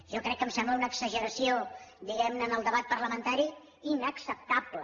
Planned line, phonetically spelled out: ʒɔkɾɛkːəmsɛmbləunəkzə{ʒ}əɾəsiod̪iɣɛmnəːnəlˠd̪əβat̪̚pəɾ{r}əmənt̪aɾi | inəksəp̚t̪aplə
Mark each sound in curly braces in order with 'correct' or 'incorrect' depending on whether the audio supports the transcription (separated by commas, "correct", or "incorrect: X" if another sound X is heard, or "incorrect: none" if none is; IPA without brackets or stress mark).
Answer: correct, incorrect: l